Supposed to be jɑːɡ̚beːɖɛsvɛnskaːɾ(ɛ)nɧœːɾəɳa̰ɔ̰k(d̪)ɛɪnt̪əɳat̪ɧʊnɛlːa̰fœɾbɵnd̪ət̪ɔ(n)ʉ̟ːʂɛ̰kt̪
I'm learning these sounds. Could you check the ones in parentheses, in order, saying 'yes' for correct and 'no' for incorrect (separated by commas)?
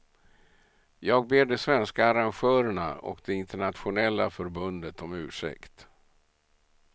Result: no, yes, no